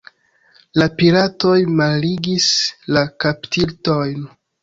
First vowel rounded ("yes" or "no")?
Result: no